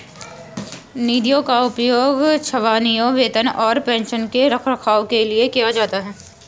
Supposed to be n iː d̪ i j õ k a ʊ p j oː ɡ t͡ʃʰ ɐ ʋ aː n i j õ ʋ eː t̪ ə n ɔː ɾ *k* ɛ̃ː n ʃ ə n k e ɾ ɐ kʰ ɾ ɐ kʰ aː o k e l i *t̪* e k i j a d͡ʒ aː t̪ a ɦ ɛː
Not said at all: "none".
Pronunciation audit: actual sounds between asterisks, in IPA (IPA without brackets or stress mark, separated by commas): p, none